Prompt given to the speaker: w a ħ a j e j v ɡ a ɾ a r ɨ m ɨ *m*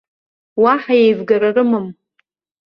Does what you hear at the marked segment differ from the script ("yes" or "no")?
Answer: no